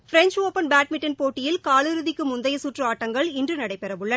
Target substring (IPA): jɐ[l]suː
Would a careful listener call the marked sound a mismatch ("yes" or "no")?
yes